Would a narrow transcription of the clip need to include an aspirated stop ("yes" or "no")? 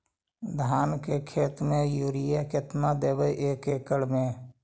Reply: yes